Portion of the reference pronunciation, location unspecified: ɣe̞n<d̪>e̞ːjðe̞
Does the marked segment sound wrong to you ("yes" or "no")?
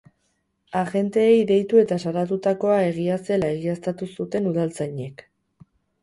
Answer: yes